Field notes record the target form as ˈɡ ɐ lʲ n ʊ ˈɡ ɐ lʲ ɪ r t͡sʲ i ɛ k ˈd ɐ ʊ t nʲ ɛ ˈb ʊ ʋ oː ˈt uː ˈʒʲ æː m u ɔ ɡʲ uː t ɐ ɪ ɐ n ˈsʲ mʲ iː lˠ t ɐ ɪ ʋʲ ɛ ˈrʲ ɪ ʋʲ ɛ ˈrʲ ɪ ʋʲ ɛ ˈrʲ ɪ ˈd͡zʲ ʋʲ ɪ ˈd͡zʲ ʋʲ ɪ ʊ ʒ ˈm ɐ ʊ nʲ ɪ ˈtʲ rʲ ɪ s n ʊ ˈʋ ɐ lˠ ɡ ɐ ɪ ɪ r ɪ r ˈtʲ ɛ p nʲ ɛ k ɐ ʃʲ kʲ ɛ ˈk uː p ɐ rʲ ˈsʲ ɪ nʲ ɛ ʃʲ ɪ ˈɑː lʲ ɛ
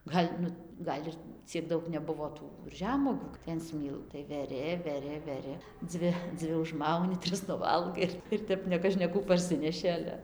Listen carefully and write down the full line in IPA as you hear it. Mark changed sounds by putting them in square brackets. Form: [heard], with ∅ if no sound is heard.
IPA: ˈɡ ɐ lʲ n ʊ ˈɡ ɐ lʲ ɪ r t͡sʲ i ɛ k ˈd ɐ ʊ [k] nʲ ɛ ˈb ʊ ʋ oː ˈt uː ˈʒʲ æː m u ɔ ɡʲ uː t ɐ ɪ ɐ n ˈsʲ mʲ iː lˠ t ɐ ɪ ʋʲ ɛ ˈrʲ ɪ ʋʲ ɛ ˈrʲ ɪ ʋʲ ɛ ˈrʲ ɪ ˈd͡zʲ ʋʲ ɪ ˈd͡zʲ ʋʲ ɪ ʊ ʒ ˈm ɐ ʊ nʲ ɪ ˈtʲ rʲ ɪ s n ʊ ˈʋ ɐ lˠ ɡ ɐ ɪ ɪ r ɪ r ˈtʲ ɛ p nʲ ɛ k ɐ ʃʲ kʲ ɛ ˈk uː p ɐ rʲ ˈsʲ ɪ nʲ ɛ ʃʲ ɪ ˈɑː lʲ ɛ